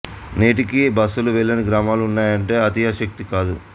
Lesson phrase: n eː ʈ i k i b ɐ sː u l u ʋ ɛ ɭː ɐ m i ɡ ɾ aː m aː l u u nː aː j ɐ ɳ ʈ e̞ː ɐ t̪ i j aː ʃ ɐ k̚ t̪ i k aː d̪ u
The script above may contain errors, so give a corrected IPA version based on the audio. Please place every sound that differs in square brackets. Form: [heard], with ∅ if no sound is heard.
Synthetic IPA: n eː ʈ i k i b ɐ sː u l u ʋ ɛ ɭː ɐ [n] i ɡ ɾ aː m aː l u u nː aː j ɐ ɳ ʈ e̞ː ɐ t̪ i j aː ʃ ɐ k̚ t̪ i k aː d̪ u